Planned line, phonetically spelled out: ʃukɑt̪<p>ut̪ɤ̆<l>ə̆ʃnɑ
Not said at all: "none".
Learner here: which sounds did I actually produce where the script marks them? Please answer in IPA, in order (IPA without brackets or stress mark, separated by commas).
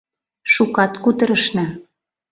k, ɾ